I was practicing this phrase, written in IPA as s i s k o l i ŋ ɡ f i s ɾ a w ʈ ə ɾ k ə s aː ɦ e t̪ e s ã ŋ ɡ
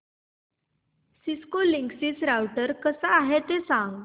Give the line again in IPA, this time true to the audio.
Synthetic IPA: s i s k o l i ŋ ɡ s i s ɾ a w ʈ ə ɾ k ə s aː ɦ e t̪ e s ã ŋ ɡ